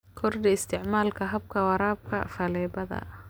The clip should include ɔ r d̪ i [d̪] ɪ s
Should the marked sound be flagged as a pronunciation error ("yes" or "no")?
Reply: yes